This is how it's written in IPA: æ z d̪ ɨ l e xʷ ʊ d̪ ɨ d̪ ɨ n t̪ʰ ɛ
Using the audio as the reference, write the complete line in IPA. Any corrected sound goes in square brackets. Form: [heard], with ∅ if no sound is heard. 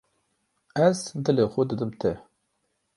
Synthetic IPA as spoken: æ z d̪ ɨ l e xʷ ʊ d̪ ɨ d̪ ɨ [m] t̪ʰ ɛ